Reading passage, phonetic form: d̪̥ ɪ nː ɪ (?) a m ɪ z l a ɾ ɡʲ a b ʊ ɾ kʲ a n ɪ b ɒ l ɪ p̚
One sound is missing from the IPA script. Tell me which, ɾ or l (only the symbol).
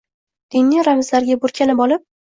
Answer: ɾ